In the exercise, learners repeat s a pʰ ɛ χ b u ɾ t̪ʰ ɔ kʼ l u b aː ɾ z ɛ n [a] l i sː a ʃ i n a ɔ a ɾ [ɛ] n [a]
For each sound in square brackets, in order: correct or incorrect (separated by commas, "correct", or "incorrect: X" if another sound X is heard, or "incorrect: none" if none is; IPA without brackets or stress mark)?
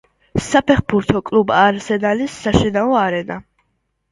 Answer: correct, correct, correct